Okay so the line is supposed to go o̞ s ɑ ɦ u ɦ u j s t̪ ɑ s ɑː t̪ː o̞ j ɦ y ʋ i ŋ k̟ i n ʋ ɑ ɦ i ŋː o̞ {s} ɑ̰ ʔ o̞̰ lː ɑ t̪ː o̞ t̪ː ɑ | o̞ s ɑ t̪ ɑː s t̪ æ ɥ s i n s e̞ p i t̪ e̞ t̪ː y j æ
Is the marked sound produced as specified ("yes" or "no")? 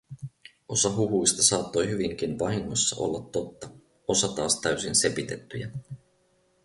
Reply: no